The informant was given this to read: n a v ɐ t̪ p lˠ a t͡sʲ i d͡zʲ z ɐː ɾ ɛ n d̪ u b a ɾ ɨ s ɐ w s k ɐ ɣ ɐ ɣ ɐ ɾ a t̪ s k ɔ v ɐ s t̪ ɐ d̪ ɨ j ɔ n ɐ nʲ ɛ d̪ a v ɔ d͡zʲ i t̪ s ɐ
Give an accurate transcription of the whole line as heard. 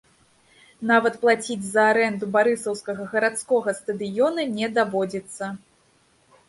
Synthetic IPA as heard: n a v ɐ t̪ p lˠ a t͡sʲ i d͡zʲ z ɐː ɾ ɛ n d̪ u b a ɾ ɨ s ɐ w s k ɐ ɣ ɐ ɣ ɐ ɾ a t̪ s k ɔ ɣ ɐ s t̪ ɐ d̪ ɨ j ɔ n ɐ nʲ ɛ d̪ a v ɔ d͡zʲ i t̪ sː ɐ

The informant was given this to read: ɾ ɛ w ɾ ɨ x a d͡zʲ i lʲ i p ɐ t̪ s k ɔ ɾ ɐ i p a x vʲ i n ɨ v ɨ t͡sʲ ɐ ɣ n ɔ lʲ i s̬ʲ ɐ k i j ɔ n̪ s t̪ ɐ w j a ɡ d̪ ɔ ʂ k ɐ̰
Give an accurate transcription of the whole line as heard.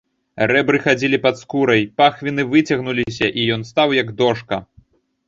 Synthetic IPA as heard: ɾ ɛ b ɾ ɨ x a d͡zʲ i lʲ i p ɐ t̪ s k u ɾ ɐ j p a x vʲ i n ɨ v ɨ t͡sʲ ɐ ɣ n u lʲ i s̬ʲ ɐ ʔ i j ɔ n̪ s t̪ a w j ɐ ɡ d̪ ɔ ʂ k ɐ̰

